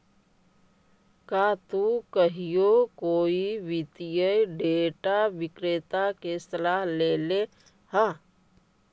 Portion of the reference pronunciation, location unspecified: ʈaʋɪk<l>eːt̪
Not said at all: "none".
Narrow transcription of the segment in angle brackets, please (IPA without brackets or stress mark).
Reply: ɾ